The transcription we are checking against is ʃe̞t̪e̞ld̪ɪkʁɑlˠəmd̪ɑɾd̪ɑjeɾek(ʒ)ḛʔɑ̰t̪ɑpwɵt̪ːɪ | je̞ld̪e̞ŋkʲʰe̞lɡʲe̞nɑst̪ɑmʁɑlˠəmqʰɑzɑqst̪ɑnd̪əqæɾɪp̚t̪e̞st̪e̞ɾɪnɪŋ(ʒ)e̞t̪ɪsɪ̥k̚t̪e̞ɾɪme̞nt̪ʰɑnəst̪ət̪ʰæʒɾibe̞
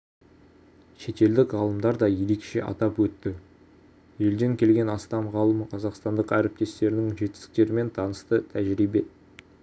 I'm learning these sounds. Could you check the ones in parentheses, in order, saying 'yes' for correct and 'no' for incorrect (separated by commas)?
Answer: no, yes